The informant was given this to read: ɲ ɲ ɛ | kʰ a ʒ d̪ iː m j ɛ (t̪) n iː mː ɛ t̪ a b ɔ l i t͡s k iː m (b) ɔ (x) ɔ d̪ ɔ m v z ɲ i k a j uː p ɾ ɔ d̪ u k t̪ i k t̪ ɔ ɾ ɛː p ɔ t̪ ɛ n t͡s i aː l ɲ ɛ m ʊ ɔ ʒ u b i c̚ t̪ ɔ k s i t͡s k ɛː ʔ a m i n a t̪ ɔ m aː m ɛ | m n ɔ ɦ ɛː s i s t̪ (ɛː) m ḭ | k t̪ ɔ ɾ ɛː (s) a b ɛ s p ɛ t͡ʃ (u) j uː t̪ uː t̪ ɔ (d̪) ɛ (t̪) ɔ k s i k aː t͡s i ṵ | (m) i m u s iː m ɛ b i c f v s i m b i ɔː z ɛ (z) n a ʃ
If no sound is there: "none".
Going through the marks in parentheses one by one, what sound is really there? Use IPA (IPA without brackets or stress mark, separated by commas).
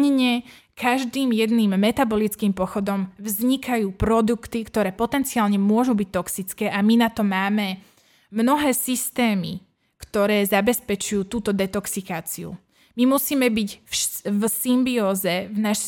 d̪, p, x, ɛː, z, u, d̪, t̪, m, v